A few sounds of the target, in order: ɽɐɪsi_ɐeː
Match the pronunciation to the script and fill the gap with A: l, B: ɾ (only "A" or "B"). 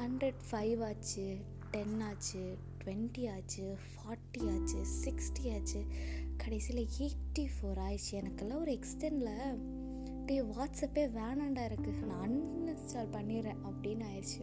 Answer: A